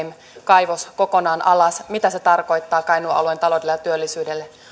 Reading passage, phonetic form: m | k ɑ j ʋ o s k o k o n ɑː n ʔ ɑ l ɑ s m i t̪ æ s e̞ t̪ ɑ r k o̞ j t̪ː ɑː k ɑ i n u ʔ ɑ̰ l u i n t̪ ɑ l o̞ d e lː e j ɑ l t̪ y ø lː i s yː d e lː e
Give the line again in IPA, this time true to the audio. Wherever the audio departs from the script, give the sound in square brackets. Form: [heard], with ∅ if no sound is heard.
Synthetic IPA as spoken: m | k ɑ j ʋ o s k o k o n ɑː n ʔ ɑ l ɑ s m i t̪ æ s e̞ t̪ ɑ r k o̞ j t̪ː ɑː k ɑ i n u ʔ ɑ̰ l u [e] n t̪ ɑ l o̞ d e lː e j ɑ [∅] t̪ y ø lː i s yː d e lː e